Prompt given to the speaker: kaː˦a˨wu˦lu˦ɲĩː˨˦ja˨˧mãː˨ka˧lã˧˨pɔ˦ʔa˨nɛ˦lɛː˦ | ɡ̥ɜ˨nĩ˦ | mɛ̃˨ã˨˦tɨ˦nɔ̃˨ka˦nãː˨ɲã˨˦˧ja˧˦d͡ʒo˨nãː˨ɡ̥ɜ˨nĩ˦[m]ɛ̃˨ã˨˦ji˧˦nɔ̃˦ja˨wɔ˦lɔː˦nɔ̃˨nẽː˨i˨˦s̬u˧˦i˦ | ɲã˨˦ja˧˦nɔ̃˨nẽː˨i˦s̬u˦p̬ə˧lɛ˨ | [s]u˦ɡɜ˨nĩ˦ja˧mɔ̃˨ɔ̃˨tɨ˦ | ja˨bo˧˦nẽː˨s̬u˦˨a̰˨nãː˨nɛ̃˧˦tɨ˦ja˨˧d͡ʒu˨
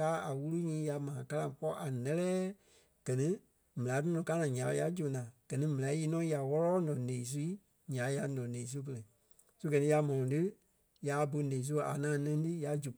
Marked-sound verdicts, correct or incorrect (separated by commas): correct, correct